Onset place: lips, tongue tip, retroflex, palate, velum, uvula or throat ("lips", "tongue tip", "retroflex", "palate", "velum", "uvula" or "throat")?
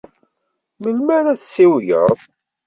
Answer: lips